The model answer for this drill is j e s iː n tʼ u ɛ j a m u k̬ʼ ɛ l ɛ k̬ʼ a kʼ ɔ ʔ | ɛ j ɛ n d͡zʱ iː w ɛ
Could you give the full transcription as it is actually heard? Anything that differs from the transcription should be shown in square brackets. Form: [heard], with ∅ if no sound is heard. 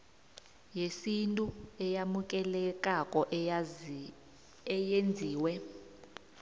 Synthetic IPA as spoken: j e s [i] n tʼ u ɛ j a m u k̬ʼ ɛ l ɛ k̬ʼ a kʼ ɔ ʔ | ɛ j [e] n d͡zʱ iː w ɛ